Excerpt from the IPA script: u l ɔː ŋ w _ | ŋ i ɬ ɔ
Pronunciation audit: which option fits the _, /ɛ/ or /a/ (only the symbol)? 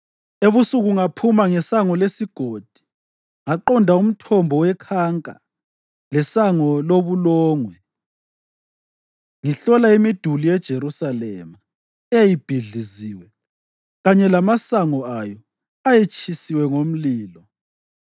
ɛ